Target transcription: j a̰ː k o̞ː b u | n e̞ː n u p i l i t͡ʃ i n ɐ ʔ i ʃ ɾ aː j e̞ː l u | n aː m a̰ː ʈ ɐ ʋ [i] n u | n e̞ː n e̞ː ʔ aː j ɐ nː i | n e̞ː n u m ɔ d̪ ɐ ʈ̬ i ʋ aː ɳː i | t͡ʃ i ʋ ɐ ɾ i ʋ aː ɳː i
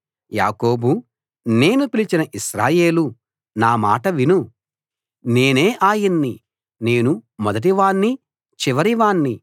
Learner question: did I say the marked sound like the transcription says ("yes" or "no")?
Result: yes